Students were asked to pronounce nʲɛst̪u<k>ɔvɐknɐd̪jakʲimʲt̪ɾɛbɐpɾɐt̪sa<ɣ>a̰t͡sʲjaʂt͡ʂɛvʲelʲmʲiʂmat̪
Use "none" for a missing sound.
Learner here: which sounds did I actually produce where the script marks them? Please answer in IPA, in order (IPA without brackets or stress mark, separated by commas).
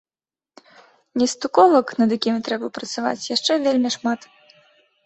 k, v